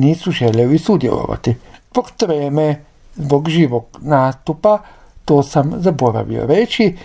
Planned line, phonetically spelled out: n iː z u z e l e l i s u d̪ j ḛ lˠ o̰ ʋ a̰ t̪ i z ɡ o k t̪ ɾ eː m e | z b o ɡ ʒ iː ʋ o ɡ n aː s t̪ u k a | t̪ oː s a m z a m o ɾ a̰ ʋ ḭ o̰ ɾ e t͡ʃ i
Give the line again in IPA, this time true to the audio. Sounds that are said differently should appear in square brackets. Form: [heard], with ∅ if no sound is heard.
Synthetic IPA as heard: n iː [s] u [ʒ] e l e l i s u d̪ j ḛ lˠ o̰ ʋ a̰ t̪ i z [b] o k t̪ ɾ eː m e | z b o ɡ ʒ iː ʋ o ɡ n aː s t̪ u [p] a | t̪ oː s a m z a [b] o ɾ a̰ ʋ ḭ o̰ ɾ e t͡ʃ i